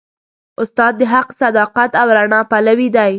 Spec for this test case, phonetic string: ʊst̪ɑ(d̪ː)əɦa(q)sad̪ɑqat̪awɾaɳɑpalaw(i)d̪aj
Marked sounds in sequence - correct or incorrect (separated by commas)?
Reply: correct, correct, correct